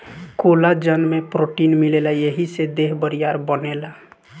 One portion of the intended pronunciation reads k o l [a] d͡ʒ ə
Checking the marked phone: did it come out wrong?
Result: no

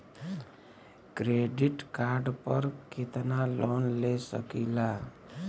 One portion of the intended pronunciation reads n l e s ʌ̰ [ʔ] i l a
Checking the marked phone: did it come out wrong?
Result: yes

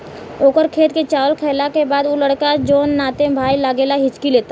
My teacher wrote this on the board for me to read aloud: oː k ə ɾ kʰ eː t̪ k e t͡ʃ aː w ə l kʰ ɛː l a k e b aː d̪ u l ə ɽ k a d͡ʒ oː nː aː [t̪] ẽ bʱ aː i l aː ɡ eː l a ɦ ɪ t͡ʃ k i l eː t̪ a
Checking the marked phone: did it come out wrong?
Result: no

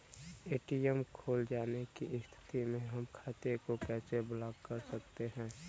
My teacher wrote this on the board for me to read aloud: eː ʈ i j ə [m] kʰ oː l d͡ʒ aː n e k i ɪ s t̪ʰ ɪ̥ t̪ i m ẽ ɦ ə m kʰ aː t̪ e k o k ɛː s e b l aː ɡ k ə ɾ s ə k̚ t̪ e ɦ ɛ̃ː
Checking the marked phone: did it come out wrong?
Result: no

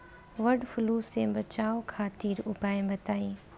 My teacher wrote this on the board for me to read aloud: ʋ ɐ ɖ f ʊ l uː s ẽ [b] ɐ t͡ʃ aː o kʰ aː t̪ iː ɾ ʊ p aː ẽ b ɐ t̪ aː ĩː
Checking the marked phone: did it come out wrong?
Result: no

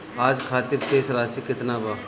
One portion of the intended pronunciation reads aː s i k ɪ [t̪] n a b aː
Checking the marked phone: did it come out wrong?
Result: no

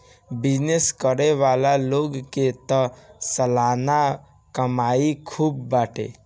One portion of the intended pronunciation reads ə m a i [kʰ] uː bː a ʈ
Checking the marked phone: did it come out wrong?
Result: no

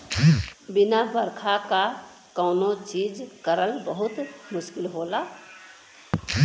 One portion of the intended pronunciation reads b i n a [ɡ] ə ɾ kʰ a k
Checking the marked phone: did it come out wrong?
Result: yes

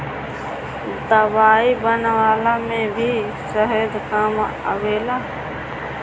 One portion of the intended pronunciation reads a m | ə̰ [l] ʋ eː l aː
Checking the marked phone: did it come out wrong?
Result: yes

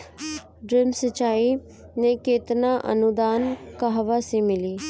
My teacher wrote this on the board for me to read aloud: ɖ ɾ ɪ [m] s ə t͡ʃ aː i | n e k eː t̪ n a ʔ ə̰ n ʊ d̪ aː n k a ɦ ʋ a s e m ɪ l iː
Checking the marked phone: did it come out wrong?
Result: no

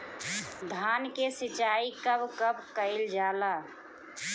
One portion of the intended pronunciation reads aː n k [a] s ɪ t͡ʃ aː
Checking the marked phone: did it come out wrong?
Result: yes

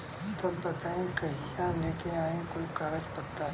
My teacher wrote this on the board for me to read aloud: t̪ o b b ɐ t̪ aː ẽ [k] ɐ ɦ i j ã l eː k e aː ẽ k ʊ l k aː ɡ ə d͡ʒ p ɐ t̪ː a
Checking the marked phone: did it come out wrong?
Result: no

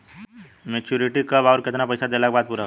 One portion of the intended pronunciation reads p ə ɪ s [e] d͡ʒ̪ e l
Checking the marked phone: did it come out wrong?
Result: yes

